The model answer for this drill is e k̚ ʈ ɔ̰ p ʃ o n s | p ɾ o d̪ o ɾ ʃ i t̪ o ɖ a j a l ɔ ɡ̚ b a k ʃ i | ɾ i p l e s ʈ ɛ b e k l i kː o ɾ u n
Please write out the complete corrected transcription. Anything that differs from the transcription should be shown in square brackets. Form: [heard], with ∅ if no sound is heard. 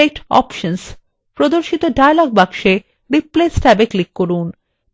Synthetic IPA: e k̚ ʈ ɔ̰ p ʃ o n s | p ɾ o d̪ o ɾ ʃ i t̪ o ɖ a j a l ɔ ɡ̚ b a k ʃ [e] | ɾ i p l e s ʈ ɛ b e k l i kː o ɾ u n